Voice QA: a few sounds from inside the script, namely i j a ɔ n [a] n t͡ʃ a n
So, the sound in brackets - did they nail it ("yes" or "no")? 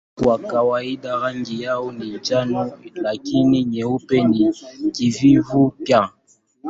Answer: no